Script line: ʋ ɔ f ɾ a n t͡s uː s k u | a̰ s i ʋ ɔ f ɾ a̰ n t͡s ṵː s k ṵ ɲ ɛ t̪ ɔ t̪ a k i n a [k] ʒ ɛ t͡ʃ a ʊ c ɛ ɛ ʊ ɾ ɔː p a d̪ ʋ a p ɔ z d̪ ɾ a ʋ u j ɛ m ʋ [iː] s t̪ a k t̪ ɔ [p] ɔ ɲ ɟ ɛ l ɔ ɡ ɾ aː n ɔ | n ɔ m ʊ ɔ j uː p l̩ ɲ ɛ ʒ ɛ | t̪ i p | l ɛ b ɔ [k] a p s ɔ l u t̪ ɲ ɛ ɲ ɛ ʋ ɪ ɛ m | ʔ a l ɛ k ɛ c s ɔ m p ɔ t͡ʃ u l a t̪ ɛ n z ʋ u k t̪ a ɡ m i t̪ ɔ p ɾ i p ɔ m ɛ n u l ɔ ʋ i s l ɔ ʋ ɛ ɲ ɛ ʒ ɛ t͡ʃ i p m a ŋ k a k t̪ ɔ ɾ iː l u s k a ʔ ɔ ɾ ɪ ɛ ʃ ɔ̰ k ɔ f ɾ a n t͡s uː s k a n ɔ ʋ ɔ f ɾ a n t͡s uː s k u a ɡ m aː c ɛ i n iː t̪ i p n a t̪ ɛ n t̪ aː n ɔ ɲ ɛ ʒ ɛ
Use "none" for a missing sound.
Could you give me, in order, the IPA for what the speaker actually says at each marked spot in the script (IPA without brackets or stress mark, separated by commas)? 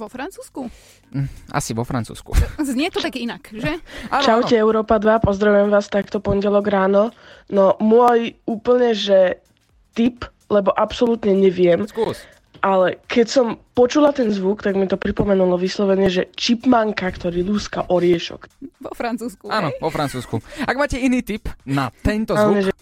k, aː, p, ʔ